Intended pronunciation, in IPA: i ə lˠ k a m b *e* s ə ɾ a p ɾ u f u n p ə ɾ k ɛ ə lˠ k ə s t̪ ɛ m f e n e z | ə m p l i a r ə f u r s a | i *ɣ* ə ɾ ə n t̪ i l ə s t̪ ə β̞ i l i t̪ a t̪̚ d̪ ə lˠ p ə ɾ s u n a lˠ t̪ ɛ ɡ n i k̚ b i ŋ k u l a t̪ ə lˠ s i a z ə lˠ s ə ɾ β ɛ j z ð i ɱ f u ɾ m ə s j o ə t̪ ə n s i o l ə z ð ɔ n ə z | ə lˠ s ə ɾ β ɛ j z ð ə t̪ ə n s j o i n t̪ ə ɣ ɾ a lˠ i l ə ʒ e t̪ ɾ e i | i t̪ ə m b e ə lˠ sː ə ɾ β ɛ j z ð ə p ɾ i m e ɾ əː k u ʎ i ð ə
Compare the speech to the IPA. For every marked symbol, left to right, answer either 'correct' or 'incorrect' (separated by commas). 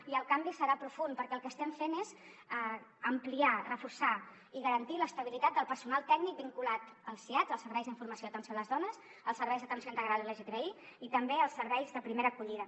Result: incorrect, correct